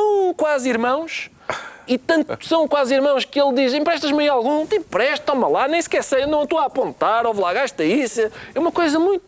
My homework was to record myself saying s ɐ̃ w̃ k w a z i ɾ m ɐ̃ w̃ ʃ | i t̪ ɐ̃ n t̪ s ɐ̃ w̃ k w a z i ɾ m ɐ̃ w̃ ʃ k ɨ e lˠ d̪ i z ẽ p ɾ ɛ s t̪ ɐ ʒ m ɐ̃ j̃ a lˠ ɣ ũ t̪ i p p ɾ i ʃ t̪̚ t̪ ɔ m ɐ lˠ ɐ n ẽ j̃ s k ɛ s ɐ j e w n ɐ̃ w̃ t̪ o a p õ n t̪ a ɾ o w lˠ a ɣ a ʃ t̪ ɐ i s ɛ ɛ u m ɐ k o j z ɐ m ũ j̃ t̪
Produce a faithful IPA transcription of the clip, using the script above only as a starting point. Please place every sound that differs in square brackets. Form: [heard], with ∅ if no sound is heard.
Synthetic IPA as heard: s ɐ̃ w̃ k w a z i ɾ m ɐ̃ w̃ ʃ | i t̪ ɐ̃ n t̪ s ɐ̃ w̃ k w a z i ɾ m ɐ̃ w̃ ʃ k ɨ e lˠ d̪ i z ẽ p ɾ ɛ [ʃ] t̪ ɐ ʒ m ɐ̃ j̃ a lˠ ɣ ũ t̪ i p p ɾ [ɛ] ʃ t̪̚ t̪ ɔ m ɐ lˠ [a] n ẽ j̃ s k ɛ s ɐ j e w n ɐ̃ w̃ t̪ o a p õ n t̪ a ɾ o [v] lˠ a ɣ a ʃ t̪ ɐ i s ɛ ɛ u m ɐ k o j z ɐ m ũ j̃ t̪